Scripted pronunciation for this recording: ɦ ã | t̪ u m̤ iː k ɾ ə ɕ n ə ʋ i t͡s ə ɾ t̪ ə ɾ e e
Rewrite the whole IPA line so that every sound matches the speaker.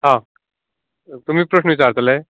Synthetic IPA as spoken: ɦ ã | t̪ u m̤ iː p ɾ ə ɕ n ə ʋ i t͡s a ɾ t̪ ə l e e